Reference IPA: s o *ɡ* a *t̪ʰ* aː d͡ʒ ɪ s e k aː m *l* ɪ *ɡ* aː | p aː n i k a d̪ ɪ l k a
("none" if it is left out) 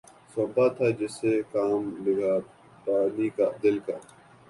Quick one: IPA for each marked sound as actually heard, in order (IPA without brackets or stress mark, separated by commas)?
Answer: b, t̪ʰ, l, ɡ